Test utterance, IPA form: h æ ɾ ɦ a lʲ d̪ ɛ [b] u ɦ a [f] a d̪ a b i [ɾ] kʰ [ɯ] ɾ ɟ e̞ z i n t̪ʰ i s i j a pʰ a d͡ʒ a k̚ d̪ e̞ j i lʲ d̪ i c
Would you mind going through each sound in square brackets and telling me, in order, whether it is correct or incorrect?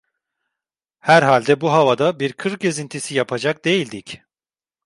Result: correct, incorrect: v, correct, correct

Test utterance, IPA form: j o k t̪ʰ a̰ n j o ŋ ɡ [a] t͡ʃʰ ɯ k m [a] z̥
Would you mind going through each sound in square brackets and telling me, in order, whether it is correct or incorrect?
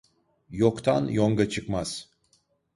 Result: correct, correct

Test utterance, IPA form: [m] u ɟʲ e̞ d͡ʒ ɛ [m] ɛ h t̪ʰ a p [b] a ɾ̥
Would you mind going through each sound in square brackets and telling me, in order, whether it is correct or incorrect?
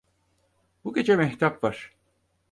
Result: incorrect: b, correct, incorrect: v

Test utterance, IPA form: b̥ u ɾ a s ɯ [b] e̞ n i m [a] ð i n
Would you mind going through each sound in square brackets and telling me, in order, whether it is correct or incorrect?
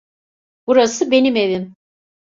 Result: correct, incorrect: e

